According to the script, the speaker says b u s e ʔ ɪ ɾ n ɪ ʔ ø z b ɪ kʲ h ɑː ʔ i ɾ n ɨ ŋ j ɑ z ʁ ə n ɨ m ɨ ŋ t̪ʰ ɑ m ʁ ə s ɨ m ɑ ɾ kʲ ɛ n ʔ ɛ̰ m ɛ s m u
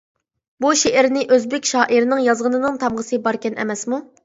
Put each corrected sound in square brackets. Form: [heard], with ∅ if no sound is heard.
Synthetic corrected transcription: b u [ʃ] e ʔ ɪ ɾ n ɪ ʔ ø z b ɪ kʲ [ʃ] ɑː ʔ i ɾ n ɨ ŋ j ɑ z ʁ ə n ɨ [n] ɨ ŋ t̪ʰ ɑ m ʁ ə s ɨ [b] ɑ ɾ kʲ ɛ n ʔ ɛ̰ m ɛ s m u